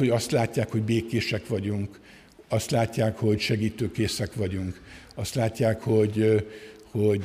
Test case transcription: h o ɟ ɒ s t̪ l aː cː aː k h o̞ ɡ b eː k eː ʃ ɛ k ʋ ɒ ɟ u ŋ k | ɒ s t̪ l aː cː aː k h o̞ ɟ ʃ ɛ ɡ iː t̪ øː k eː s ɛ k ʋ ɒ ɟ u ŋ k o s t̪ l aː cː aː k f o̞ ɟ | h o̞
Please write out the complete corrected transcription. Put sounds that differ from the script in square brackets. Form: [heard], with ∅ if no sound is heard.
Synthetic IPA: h o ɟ ɒ s t̪ l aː cː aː k h o̞ [ɟ] b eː k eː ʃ ɛ k ʋ ɒ ɟ u ŋ k | ɒ s t̪ l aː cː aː k h o̞ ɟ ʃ ɛ ɡ iː t̪ øː k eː s ɛ k ʋ ɒ ɟ u ŋ k [ɒ] s t̪ l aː cː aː k [h] o̞ ɟ | h o̞